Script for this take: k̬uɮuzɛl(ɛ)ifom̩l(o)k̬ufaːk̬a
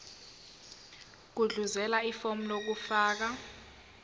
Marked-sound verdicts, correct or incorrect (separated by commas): incorrect, correct